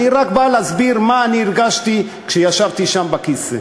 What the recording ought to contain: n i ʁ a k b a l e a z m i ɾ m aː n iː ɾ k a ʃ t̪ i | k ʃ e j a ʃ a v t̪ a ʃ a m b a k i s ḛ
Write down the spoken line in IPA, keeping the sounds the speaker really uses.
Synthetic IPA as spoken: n i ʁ a k b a l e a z b i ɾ m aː n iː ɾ ɡ a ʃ t̪ i | k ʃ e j a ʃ a v t̪ i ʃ a m b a k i s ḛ